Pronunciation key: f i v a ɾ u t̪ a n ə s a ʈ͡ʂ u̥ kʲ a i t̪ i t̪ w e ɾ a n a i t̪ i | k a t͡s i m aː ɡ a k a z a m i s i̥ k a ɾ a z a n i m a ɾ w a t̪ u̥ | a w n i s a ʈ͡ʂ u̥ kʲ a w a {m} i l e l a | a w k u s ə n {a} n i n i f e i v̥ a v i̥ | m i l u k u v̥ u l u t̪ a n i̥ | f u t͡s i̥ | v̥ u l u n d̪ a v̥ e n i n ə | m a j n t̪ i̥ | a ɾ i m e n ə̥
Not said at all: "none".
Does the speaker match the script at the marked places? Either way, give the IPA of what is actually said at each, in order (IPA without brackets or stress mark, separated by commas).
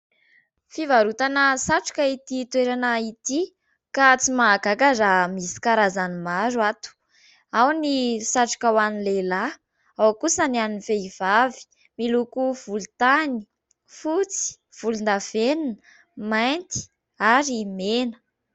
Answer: n, a